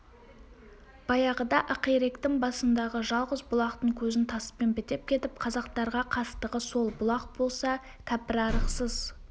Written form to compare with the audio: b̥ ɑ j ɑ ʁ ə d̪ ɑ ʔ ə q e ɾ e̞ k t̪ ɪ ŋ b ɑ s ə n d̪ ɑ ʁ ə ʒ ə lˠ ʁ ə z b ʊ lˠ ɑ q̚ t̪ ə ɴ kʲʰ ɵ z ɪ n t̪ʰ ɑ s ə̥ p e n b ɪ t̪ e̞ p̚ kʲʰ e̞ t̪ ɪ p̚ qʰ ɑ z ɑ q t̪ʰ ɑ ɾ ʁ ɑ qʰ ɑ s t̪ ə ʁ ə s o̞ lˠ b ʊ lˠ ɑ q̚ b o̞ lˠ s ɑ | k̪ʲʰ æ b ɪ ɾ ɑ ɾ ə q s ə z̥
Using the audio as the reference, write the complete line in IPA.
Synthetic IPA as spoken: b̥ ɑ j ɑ ʁ ə d̪ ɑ ʔ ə q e ɾ e̞ k t̪ ɪ ŋ b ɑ s ə n d̪ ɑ ʁ ə ʒ ɑ lˠ ʁ ə z b ʊ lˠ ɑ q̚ t̪ ə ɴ kʲʰ ɵ z ɪ n t̪ʰ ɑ s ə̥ p e n b ɪ t̪ e̞ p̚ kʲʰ e̞ t̪ ɪ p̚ qʰ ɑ z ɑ q t̪ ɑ ɾ ʁ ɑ qʰ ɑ s t̪ ə ʁ ə s o̞ lˠ b ʊ lˠ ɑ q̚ b o̞ lˠ s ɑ | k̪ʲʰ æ p ɪ ɾ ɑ ɾ ə q s ə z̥